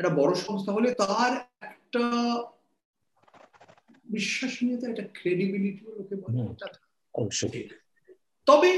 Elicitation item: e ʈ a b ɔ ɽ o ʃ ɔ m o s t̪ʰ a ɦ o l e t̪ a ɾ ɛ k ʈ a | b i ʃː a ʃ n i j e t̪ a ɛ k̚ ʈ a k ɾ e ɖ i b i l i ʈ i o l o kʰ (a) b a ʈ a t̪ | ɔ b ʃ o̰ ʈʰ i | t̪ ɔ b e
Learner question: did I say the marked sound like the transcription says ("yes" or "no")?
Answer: no